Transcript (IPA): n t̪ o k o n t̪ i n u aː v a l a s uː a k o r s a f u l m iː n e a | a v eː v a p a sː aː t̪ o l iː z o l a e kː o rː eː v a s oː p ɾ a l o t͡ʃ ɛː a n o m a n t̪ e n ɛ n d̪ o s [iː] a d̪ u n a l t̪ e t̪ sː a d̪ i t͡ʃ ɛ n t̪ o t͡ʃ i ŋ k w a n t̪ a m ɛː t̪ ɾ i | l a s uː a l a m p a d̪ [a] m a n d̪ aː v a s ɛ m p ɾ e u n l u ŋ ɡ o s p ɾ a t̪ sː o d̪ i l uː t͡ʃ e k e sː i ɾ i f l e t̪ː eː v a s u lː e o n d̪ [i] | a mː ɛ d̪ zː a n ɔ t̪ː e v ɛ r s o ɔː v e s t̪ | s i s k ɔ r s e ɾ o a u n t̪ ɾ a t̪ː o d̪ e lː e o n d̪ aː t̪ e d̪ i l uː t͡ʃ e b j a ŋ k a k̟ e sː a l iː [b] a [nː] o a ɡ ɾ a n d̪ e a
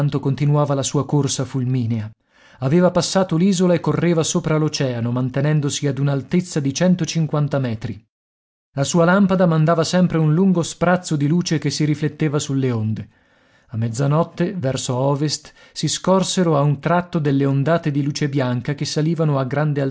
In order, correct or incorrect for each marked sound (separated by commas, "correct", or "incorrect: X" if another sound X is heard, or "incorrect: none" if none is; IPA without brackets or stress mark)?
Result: incorrect: i, correct, incorrect: e, incorrect: v, incorrect: n